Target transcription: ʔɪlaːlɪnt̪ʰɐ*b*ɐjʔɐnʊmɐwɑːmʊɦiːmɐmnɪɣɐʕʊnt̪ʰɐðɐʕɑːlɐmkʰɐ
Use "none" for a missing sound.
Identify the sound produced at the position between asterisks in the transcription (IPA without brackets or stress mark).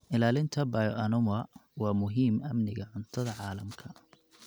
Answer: b